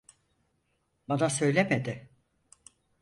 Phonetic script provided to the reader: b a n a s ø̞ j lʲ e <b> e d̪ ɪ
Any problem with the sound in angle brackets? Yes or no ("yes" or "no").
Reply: yes